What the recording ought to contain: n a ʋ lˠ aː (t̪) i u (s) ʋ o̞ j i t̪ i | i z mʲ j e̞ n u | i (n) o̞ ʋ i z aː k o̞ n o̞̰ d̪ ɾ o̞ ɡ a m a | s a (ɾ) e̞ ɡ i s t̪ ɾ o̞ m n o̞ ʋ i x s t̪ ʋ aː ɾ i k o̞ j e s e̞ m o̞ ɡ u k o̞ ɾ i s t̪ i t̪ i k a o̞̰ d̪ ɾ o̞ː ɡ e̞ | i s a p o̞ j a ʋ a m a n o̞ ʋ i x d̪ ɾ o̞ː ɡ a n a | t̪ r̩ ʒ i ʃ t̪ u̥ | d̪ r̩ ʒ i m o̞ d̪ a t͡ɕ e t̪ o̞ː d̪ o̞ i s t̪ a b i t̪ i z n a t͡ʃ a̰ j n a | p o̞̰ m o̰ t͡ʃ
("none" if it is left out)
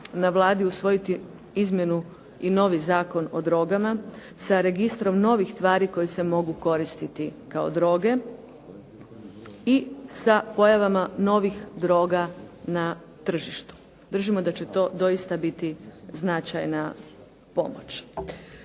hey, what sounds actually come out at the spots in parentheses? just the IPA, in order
d̪, s, n, ɾ

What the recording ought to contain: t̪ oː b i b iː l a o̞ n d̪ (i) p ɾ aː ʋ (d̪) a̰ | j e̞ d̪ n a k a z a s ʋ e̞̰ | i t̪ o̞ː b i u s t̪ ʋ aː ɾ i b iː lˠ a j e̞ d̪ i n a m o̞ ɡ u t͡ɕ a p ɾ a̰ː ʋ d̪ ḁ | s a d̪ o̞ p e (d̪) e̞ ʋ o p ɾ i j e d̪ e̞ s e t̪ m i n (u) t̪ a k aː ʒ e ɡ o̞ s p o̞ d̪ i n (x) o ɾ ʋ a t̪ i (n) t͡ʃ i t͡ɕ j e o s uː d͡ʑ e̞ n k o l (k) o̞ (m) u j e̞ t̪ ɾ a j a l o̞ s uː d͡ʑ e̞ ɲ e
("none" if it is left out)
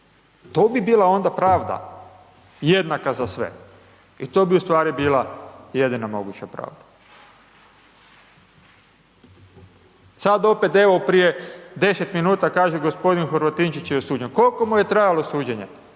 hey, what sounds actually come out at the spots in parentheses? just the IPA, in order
a, d̪, t̪, uː, x, n, k, m

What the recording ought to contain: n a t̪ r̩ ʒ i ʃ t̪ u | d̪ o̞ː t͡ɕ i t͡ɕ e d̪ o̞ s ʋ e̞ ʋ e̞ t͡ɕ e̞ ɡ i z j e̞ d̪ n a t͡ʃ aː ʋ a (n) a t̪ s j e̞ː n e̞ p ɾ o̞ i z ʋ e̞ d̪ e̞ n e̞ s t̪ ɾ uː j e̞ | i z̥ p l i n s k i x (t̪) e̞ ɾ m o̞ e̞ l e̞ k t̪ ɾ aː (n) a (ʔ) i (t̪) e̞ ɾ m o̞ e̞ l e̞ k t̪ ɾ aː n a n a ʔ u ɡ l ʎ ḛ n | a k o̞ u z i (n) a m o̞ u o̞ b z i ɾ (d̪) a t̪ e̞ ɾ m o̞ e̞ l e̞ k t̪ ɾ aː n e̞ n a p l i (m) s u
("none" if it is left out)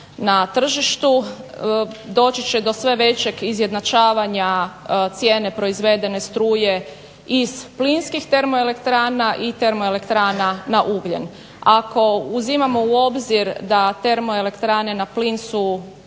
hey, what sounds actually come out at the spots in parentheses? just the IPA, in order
ɲ, t̪, n, ʔ, t̪, m, d̪, n

